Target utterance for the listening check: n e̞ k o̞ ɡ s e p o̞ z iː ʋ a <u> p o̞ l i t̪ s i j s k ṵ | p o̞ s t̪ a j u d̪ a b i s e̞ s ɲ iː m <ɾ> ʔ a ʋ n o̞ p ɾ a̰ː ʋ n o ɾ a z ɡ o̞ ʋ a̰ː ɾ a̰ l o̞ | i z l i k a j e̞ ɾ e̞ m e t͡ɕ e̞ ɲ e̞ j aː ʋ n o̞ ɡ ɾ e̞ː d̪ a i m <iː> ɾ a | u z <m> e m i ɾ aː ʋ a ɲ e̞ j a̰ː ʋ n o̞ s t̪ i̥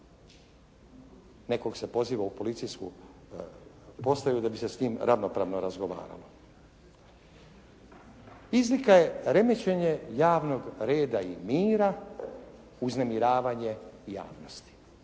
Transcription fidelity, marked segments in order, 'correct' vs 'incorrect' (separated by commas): correct, correct, correct, incorrect